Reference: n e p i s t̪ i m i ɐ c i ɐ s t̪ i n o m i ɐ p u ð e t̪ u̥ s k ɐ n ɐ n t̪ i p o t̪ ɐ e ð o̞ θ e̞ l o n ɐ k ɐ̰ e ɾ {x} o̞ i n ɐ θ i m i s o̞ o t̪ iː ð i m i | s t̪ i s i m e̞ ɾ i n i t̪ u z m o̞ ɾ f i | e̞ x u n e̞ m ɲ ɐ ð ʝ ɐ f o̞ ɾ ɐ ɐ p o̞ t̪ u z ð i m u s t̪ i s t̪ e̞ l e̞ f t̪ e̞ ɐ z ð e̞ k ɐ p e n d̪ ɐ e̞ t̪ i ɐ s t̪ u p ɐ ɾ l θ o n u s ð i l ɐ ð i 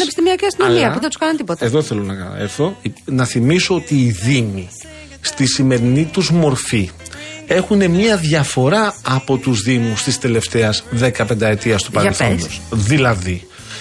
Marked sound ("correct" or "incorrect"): incorrect